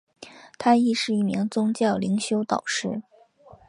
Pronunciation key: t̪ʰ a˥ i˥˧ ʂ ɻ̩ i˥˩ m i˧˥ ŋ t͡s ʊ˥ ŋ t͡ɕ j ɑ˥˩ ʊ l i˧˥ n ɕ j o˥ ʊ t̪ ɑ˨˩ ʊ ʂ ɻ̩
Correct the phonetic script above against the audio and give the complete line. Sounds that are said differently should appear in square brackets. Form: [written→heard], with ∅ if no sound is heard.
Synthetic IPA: t̪ʰ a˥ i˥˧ ʂ ɻ̩ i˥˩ m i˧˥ ŋ t͡s ʊ˥ ŋ t͡ɕ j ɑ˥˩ ʊ l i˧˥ [n→ŋ] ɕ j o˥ ʊ t̪ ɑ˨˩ ʊ ʂ ɻ̩